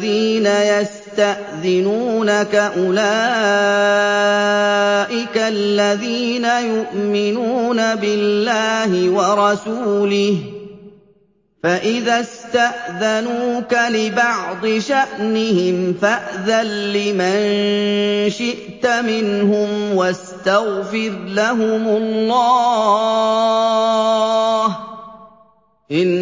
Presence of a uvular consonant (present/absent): absent